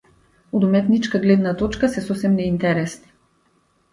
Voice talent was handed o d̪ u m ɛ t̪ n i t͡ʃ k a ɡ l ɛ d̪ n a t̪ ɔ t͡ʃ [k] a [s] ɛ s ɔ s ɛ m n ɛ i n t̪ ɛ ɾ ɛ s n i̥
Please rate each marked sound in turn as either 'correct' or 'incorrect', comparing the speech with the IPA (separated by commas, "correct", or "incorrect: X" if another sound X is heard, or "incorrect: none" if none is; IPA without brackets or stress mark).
correct, correct